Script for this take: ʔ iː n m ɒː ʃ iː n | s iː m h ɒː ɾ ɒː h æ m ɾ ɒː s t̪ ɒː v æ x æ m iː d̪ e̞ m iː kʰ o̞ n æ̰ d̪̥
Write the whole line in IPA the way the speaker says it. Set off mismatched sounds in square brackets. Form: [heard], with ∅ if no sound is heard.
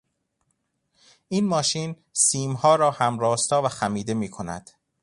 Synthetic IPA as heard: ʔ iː n m ɒː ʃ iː n | s iː m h ɒː ɾ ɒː h æ m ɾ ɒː s t̪ ɒː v æ x æ m iː d̪ e̞ m iː kʰ o̞ n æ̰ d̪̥